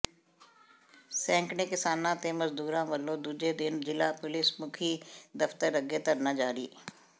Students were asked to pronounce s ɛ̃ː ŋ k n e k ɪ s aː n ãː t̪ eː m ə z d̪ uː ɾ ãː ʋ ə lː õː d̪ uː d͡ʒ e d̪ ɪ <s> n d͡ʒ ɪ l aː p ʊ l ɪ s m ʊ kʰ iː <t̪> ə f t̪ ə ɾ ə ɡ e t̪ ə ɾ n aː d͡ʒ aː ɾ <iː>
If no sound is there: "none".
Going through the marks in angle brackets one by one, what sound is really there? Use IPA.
none, d̪, iː

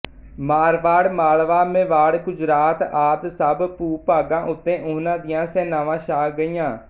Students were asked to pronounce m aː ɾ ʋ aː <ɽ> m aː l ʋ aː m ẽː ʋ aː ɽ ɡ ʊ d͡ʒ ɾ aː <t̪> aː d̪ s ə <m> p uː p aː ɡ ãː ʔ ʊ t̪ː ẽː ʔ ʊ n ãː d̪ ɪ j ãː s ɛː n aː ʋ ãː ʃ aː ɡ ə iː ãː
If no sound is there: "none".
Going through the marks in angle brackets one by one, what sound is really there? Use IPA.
ɽ, t̪, b

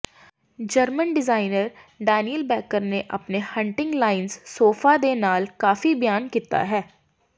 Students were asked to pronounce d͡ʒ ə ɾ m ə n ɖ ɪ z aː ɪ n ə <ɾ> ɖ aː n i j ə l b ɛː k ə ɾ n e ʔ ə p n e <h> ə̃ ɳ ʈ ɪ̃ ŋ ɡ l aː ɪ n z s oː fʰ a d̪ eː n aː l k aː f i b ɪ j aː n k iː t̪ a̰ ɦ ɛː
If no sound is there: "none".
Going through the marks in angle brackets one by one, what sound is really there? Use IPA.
ɾ, h

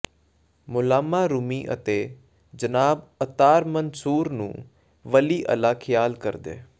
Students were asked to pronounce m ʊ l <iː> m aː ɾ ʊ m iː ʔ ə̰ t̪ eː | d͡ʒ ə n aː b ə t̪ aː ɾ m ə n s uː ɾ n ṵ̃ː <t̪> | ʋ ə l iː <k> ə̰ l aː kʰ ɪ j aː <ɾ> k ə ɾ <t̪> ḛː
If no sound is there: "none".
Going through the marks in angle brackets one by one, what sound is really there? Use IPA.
aː, none, ʔ, l, d̪

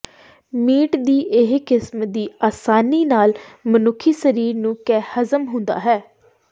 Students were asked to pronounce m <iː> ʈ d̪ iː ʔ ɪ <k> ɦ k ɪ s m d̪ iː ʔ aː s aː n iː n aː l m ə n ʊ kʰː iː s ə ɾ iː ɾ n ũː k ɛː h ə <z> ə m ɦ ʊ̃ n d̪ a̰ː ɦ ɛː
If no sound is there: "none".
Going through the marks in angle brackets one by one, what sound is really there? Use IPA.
iː, none, z

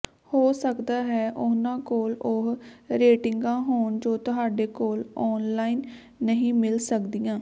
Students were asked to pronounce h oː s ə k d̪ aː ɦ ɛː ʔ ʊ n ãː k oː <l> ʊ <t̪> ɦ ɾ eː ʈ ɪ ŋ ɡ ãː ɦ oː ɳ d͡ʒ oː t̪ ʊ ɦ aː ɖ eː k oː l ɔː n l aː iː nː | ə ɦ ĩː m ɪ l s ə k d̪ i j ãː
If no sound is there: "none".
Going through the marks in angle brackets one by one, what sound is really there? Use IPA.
l, none

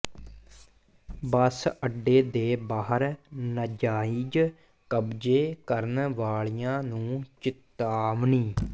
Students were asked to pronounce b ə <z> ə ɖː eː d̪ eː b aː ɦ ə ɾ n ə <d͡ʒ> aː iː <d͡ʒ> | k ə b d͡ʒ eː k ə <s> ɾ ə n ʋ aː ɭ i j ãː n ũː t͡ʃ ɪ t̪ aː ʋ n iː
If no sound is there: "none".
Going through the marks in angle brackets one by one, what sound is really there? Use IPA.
s, d͡ʒ, d͡ʒ, none

